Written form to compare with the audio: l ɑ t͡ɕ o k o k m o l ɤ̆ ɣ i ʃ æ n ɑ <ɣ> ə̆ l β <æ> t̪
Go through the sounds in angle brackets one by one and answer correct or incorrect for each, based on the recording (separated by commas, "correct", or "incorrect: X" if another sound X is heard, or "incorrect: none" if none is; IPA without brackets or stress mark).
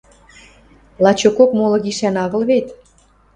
correct, incorrect: e